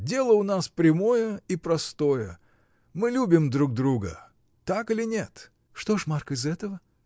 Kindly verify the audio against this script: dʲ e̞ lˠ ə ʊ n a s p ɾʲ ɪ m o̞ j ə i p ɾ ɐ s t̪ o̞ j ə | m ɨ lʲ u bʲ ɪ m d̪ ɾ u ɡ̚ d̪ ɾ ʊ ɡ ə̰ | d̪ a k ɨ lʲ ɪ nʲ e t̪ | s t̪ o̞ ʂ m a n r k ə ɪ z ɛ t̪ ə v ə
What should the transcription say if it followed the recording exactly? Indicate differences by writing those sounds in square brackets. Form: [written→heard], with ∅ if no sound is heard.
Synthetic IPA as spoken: dʲ e̞ lˠ ə ʊ n a s p ɾʲ ɪ m o̞ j ə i p ɾ ɐ s t̪ o̞ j ə | m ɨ lʲ u bʲ ɪ m d̪ ɾ u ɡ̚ d̪ ɾ [ʊ→u] ɡ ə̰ | [d̪→t̪] a k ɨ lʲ ɪ nʲ e t̪ | [s→ʂ] t̪ o̞ ʂ m a [n→∅] r k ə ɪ z ɛ t̪ ə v ə